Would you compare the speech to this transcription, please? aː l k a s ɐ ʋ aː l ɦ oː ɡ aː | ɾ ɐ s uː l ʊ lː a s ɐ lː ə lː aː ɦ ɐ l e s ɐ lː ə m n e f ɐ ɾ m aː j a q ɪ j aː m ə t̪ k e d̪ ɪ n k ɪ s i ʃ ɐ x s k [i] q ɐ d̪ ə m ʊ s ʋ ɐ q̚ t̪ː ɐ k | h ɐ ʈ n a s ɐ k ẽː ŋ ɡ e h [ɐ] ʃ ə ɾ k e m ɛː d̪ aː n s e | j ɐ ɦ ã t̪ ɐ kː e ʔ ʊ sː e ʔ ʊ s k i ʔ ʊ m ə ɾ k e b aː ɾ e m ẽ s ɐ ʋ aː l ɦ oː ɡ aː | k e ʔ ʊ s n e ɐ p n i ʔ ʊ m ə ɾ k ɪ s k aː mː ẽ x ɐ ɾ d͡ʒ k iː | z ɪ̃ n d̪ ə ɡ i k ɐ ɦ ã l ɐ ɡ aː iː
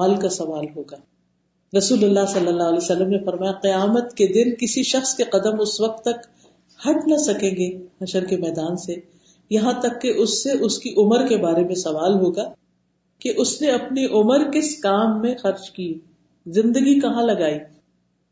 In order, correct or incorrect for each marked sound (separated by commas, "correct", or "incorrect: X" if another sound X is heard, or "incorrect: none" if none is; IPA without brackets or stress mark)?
incorrect: e, correct